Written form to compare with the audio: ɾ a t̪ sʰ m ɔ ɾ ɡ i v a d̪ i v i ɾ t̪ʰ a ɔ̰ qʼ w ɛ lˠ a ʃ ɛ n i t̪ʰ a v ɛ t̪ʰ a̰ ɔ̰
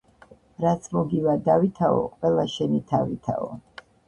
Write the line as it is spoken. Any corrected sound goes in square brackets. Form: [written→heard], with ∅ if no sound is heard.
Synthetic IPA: ɾ a t̪ sʰ m ɔ [ɾ→∅] ɡ i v a d̪ [i→a] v i [ɾ→∅] t̪ʰ a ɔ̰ qʼ w ɛ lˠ a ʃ ɛ n i t̪ʰ a v [ɛ→i] t̪ʰ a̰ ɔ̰

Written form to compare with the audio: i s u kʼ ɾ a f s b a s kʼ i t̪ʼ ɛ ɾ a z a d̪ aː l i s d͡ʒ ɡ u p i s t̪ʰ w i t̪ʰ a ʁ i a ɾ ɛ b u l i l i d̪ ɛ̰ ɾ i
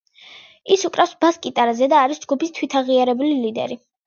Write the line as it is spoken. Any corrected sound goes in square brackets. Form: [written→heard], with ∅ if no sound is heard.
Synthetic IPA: i s u kʼ ɾ a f s b a s kʼ i t̪ʼ [ɛ→a] ɾ a z [a→ɛ] d̪ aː [l→ɾ] i s d͡ʒ ɡ u p i s t̪ʰ w i t̪ʰ a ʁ i a ɾ ɛ b u l i l i d̪ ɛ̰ ɾ i

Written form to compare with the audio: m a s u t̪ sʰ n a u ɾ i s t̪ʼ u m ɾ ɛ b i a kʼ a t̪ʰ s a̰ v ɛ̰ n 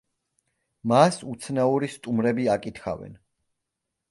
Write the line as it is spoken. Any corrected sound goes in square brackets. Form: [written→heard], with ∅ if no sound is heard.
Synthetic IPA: m a s u t̪ sʰ n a u ɾ i s t̪ʼ u m ɾ ɛ b i a kʼ [a→i] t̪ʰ [s→χ] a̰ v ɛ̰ n

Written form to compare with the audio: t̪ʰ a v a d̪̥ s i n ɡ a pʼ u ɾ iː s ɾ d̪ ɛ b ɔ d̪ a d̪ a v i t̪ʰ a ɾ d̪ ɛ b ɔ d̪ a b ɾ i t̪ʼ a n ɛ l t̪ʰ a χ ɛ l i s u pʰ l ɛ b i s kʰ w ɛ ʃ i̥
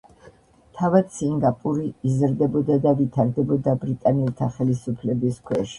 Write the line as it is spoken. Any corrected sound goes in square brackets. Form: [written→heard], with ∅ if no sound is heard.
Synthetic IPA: t̪ʰ a v a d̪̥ s i [n→ŋ] ɡ a pʼ u ɾ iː [s→z] ɾ d̪ ɛ b ɔ d̪ a d̪ a v i t̪ʰ a ɾ d̪ ɛ b ɔ d̪ a b ɾ i t̪ʼ a n ɛ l t̪ʰ a χ ɛ l i s u pʰ l ɛ b i s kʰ w ɛ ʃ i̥

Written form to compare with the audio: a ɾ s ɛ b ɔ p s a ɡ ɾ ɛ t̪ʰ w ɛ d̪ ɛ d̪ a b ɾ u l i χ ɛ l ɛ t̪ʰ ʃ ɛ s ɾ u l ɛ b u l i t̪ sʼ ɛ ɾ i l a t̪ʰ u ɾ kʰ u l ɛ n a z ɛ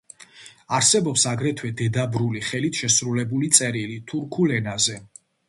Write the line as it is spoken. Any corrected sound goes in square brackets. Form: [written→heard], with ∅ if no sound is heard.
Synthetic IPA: a ɾ s ɛ b ɔ p s a ɡ ɾ ɛ t̪ʰ w ɛ d̪ ɛ d̪ a b ɾ u l i χ ɛ l [ɛ→i] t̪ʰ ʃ ɛ s ɾ u l ɛ b u l i t̪ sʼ ɛ ɾ i l [a→i] t̪ʰ u ɾ kʰ u l ɛ n a z ɛ

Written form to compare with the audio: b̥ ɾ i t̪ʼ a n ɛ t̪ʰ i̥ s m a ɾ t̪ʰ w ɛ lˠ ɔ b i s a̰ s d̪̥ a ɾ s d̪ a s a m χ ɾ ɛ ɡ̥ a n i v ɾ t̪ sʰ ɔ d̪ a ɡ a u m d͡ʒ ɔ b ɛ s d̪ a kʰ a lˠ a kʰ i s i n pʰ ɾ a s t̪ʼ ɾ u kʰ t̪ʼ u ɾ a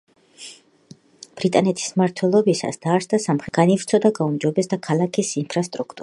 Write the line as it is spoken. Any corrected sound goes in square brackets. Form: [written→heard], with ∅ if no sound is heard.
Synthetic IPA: b̥ ɾ i t̪ʼ a n ɛ t̪ʰ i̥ s m a ɾ t̪ʰ w ɛ lˠ ɔ b i s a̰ s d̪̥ a ɾ s d̪ a s a m χ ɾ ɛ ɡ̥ a n i v ɾ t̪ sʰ ɔ d̪ a ɡ a u m d͡ʒ ɔ b ɛ s d̪ a kʰ a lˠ a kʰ i s i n pʰ ɾ a s t̪ʼ ɾ u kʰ t̪ʼ u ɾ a

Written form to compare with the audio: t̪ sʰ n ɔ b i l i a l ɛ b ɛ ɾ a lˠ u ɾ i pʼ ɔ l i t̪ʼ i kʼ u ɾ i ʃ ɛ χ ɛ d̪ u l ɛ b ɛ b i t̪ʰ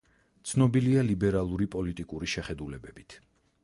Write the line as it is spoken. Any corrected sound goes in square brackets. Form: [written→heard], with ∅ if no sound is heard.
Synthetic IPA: t̪ sʰ n ɔ b i l i a l [ɛ→i] b ɛ ɾ a lˠ u ɾ i pʼ ɔ l i t̪ʼ i kʼ u ɾ i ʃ ɛ χ ɛ d̪ u l ɛ b ɛ b i t̪ʰ

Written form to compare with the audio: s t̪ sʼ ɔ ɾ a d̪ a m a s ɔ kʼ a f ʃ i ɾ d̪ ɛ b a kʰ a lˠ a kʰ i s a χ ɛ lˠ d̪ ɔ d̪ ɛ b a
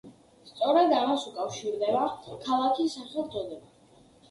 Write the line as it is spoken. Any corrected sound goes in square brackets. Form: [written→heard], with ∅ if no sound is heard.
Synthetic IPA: s t̪ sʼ ɔ ɾ a d̪ a m a s [ɔ→u] kʼ a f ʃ i ɾ d̪ ɛ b a kʰ a lˠ a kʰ i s a χ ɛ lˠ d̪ ɔ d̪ ɛ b a

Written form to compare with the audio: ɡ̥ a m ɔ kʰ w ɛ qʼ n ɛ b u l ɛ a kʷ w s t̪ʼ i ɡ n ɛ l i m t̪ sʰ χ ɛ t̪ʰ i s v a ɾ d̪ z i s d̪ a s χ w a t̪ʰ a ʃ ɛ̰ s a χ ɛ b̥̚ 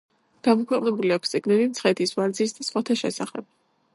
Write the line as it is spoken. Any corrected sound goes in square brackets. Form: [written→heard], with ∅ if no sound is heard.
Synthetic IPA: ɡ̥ a m ɔ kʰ w ɛ qʼ n ɛ b u l [ɛ→i] a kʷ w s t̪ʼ i ɡ n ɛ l i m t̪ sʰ χ ɛ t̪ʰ i s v a ɾ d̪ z i s d̪ a s χ w a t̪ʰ a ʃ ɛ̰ s a χ ɛ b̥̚

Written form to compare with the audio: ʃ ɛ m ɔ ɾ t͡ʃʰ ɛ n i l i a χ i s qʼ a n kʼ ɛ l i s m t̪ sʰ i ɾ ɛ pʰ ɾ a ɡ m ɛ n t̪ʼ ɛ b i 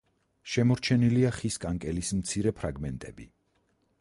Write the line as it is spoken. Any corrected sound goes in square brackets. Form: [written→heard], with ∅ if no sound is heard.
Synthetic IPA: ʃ ɛ m ɔ ɾ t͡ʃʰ ɛ n i l i a χ i s [qʼ→kʼ] a [n→ŋ] kʼ ɛ l i s m t̪ sʰ i ɾ ɛ pʰ ɾ a ɡ m ɛ n t̪ʼ ɛ b i

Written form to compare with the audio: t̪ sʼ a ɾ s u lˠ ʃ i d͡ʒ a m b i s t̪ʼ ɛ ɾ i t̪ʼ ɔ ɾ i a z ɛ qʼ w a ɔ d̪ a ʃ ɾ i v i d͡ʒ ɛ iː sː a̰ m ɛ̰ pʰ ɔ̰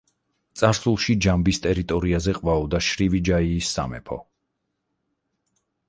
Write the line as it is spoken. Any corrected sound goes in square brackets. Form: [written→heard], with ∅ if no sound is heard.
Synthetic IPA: t̪ sʼ a ɾ s u lˠ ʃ i d͡ʒ a m b i s t̪ʼ ɛ ɾ i t̪ʼ ɔ ɾ i a z ɛ qʼ [w→v] a ɔ d̪ a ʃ ɾ i v i d͡ʒ [ɛ→a] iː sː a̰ m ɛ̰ pʰ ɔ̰

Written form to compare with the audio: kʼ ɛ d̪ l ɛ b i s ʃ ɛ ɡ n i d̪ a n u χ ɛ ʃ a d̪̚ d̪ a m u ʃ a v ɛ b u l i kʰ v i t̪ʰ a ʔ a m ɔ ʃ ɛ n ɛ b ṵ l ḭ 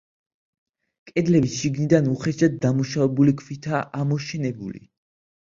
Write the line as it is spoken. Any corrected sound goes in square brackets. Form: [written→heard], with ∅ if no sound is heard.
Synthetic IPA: kʼ ɛ d̪ l ɛ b i s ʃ [ɛ→i] ɡ n i d̪ a n u χ ɛ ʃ a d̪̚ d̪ a m u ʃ a v ɛ b u l i kʰ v i t̪ʰ a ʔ a m ɔ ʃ ɛ n ɛ b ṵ l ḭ

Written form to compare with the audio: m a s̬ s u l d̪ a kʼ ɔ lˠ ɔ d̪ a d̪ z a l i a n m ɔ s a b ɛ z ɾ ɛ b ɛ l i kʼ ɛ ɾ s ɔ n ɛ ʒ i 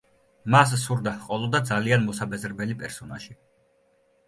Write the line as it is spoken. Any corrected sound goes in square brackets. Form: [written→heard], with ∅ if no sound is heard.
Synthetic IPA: m a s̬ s u [l→ɾ] d̪ a [kʼ→qʼ] ɔ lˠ ɔ d̪ a d̪ z a l i a n m ɔ s a b ɛ z ɾ ɛ b ɛ l i [kʼ→pʼ] ɛ ɾ s ɔ n [ɛ→a] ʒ i

